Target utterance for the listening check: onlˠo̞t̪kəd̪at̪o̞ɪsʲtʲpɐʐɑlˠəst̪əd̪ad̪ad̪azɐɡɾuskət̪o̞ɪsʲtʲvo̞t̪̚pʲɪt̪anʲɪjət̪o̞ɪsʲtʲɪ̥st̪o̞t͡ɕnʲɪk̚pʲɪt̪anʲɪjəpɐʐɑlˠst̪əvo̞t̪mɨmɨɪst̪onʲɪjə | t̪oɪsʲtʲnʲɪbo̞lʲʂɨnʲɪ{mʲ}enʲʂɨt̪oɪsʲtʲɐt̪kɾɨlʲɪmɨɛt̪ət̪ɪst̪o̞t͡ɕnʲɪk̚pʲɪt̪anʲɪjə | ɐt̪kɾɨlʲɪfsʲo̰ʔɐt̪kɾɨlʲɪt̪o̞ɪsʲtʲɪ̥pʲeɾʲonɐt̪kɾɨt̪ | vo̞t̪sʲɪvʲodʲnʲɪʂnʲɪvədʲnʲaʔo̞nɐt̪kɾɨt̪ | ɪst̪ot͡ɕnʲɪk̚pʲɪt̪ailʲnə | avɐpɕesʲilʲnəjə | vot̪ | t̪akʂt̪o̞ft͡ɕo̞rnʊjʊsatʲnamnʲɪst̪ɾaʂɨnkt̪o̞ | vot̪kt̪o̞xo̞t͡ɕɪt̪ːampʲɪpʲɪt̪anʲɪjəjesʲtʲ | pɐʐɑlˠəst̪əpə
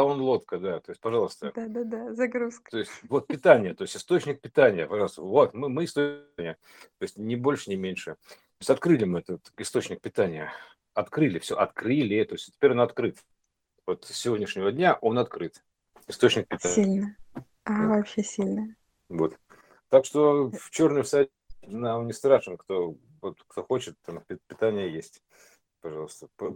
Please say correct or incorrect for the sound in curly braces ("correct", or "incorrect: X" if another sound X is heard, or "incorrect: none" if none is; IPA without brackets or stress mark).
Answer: correct